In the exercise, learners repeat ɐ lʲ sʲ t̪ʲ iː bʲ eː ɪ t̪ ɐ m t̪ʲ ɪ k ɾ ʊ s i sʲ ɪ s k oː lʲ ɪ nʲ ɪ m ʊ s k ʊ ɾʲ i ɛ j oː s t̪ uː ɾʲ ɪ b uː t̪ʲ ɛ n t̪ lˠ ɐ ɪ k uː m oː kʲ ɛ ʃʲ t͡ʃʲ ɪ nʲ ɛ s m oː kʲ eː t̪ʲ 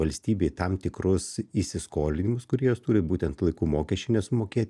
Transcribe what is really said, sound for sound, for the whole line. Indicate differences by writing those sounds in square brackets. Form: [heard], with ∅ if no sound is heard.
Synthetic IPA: ɐ lʲ sʲ t̪ʲ iː bʲ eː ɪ t̪ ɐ m t̪ʲ ɪ k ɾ ʊ s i sʲ ɪ s k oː lʲ ɪ nʲ ɪ m ʊ s k ʊ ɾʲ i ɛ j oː s t̪ uː ɾʲ ɪ b uː t̪ʲ ɛ n t̪ lˠ ɐ ɪ k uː m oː kʲ ɛ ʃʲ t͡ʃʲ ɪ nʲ ɛ s m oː kʲ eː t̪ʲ